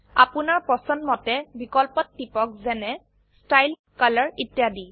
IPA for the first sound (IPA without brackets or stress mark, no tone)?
a